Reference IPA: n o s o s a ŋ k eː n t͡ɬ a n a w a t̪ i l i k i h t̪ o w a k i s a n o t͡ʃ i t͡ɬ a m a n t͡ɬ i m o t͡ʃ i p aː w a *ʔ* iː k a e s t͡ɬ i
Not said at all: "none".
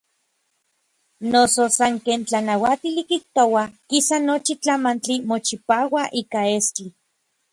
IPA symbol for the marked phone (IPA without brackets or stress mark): ʔ